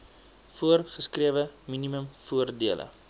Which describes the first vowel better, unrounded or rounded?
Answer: rounded